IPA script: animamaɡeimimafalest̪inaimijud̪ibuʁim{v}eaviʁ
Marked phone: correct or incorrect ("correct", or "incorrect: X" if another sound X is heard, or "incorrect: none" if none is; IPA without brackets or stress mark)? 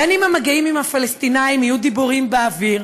incorrect: b